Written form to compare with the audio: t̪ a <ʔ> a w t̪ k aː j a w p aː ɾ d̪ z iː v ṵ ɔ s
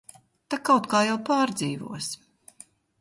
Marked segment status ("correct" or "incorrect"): incorrect